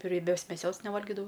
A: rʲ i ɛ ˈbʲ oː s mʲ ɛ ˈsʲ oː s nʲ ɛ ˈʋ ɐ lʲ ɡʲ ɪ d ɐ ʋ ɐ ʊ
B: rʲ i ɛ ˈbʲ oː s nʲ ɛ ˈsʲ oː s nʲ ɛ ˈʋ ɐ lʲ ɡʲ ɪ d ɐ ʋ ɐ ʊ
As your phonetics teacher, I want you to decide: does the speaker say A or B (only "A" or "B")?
A